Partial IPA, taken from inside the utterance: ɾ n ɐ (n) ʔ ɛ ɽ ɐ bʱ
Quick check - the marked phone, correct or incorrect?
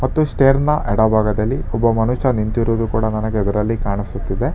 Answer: incorrect